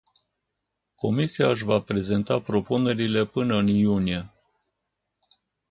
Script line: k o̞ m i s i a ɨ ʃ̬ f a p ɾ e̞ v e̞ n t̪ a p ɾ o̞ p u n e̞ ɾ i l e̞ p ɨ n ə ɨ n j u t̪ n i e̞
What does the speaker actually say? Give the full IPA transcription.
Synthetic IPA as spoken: k o̞ m i s i a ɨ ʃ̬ v a p ɾ e̞ z e̞ n t̪ a p ɾ o̞ p u n e̞ ɾ i l e̞ p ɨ n ə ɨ n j u n i e̞